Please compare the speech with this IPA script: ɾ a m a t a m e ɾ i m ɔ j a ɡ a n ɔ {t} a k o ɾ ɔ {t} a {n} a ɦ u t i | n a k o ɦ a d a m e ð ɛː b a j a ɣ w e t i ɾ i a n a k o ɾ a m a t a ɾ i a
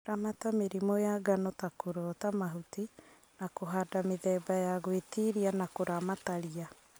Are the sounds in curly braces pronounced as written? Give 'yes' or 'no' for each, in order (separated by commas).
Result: yes, yes, no